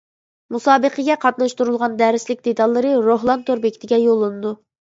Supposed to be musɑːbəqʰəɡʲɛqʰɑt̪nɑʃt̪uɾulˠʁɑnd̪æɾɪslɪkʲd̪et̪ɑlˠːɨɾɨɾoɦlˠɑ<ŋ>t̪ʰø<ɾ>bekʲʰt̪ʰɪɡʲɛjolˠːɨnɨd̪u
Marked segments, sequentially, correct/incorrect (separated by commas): incorrect, correct